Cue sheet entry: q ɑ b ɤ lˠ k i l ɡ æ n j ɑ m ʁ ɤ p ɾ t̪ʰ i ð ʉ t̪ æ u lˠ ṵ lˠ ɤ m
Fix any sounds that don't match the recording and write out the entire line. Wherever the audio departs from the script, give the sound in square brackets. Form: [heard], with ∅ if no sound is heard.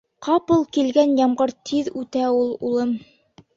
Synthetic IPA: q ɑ [p] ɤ lˠ k i l ɡ æ n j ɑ m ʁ ɤ [∅] ɾ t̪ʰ i ð ʉ t̪ æ u lˠ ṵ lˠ ɤ m